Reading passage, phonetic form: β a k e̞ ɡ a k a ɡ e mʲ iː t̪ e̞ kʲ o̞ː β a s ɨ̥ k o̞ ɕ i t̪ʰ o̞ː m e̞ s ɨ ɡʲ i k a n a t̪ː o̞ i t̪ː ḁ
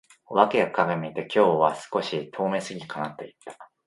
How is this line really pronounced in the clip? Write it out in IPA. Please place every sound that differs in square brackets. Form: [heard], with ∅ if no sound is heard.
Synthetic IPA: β a k e̞ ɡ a k a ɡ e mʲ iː t̪ e̞ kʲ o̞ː β a s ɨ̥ k o̞ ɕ i t̪ʰ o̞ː m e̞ s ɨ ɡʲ i k a n a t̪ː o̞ i t̪ː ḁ